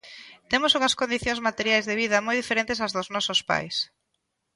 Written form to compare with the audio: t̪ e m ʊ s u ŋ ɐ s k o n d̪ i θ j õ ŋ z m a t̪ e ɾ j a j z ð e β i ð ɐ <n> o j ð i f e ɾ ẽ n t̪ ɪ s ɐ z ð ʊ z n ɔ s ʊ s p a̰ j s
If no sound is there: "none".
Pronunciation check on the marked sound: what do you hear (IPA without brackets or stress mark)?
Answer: m